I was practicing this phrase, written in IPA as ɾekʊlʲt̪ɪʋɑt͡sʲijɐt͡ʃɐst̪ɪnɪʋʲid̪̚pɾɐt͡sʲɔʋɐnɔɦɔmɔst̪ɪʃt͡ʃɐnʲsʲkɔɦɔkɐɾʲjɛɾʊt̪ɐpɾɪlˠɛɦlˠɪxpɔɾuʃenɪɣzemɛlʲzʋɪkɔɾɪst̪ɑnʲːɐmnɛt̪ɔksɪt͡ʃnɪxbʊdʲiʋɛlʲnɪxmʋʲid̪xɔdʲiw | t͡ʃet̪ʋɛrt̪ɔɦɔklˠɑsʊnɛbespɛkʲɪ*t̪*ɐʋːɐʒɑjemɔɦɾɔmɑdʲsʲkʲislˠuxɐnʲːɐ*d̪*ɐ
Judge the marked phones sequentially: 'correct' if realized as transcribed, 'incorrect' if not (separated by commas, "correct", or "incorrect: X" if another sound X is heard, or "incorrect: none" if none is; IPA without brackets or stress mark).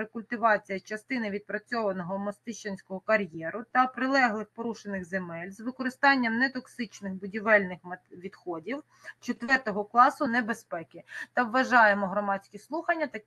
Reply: correct, incorrect: t̪